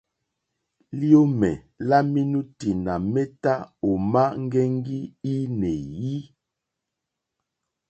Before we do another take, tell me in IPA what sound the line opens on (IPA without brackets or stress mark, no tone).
l